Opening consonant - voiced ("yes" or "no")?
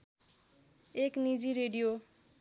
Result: no